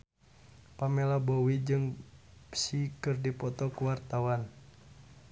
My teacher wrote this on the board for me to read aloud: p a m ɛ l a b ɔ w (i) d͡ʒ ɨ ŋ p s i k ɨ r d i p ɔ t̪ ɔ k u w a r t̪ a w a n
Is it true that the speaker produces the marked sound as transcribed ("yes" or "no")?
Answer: yes